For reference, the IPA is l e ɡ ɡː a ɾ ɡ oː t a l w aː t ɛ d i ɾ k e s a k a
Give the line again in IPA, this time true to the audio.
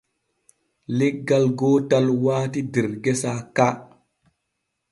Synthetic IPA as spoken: l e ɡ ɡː a l ɡ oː t a l w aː t i d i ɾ ɡ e s a k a